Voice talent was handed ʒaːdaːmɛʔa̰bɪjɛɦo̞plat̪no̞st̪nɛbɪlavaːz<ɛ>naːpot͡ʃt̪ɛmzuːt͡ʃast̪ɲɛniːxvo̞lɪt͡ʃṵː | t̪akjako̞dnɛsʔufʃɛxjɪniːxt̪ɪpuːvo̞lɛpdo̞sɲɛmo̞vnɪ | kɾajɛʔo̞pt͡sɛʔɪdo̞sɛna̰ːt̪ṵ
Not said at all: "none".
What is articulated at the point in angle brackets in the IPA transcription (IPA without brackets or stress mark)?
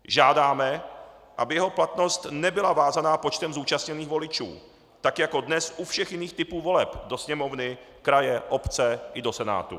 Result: a